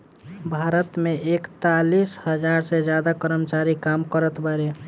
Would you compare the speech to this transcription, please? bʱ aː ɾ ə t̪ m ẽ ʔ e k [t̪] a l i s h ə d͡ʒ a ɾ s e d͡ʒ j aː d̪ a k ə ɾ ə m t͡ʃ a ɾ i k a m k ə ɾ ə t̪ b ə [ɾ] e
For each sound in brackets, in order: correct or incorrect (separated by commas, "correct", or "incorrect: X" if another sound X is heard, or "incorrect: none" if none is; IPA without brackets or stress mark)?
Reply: correct, correct